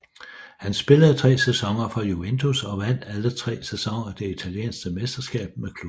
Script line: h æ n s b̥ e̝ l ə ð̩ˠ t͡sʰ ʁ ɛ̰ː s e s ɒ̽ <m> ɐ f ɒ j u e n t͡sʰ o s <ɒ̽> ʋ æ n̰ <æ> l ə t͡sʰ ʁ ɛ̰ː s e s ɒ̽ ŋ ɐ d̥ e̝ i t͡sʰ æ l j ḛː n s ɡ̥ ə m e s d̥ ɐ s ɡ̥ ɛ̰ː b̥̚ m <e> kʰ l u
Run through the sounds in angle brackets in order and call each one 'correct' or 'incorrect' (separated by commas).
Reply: incorrect, correct, correct, correct